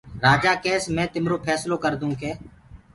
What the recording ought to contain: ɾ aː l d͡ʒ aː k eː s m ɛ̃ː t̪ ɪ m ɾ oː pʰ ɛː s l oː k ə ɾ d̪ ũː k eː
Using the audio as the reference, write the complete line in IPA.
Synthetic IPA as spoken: ɾ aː d͡ʒ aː k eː s m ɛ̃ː t̪ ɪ m ɾ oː pʰ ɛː s l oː k ə ɾ d̪ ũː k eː